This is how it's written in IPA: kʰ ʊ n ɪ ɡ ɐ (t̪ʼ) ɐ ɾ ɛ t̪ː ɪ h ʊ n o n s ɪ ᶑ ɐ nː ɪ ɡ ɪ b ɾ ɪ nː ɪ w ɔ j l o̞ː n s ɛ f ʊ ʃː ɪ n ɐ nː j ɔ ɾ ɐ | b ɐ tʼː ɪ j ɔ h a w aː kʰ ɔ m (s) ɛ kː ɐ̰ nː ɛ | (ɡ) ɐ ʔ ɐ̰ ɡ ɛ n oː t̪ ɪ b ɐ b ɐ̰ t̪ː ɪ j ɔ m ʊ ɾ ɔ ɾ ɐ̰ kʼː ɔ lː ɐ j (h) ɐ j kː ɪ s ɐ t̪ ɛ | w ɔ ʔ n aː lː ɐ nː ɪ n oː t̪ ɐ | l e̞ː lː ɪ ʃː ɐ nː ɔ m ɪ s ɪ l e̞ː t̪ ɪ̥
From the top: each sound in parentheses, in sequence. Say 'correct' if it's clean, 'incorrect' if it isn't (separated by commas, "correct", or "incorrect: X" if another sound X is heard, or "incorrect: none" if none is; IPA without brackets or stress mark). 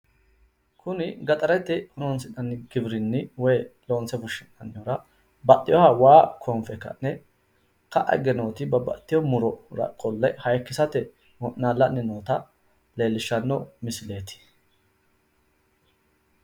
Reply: correct, incorrect: f, incorrect: k, correct